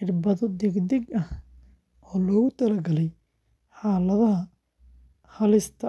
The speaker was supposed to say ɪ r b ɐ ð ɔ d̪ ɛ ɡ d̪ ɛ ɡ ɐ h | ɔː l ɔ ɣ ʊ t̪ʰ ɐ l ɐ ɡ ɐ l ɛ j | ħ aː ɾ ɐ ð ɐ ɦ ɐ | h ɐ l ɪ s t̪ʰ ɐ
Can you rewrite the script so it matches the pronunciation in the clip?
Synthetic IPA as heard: ɪ r b ɐ ð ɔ d̪ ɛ ɡ d̪ ɛ ɡ ɐ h | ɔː l ɔː ɣ ʊ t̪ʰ ɐ l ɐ ɡ ɐ l ɛ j | ħ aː l ɐ ð ɐ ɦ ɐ | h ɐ l ɪ s t̪ʰ ɐ